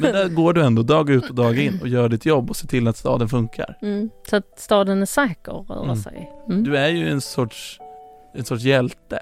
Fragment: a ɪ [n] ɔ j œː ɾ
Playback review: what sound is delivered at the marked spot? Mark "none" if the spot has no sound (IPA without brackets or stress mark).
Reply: nː